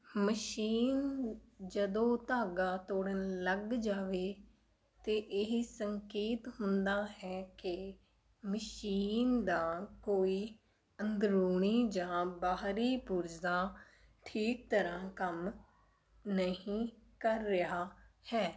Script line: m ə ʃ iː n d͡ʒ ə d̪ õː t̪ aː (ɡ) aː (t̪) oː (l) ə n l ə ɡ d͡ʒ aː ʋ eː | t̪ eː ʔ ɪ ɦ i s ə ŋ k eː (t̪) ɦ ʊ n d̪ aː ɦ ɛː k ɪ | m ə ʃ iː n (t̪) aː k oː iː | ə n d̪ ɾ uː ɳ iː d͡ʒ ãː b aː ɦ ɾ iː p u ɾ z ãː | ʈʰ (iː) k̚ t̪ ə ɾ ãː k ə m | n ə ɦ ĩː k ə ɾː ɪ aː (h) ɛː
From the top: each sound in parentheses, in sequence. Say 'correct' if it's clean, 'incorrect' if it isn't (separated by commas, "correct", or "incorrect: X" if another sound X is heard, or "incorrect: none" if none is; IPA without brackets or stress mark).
correct, correct, incorrect: ɽ, correct, incorrect: d̪, correct, correct